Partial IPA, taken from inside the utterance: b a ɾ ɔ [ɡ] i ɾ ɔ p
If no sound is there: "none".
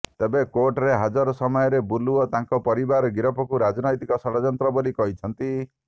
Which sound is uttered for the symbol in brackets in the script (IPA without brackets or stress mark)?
ɡ